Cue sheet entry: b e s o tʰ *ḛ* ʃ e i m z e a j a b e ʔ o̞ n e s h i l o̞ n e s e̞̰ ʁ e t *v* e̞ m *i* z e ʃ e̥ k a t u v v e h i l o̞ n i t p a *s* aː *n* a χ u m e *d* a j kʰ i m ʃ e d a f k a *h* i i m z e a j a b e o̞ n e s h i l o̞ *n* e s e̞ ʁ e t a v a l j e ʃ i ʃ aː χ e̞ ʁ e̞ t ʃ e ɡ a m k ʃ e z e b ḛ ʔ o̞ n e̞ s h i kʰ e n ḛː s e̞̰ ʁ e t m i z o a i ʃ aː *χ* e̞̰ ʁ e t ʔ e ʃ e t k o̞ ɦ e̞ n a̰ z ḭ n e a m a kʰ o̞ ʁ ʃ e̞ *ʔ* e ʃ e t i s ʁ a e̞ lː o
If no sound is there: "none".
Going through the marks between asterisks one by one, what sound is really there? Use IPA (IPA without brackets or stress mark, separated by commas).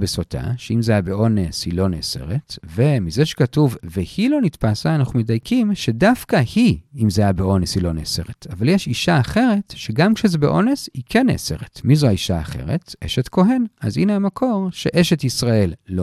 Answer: a̰, v, i, s, n, d, h, n, χ, ʔ